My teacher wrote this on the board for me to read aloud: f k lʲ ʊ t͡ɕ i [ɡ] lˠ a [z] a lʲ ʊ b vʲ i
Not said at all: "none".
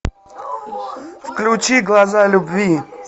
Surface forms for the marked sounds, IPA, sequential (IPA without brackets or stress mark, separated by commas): ɡ, z